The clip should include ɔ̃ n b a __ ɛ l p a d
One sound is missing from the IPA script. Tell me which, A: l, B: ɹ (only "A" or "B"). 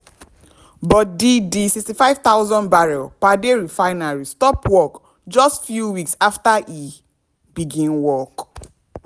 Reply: B